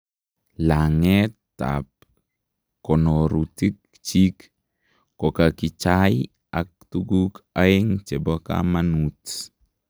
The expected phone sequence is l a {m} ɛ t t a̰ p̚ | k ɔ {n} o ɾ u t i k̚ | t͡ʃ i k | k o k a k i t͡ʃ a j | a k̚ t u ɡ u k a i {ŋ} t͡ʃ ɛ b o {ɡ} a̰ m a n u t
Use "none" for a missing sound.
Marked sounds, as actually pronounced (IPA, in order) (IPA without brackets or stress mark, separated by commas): ŋ, n, ŋ, k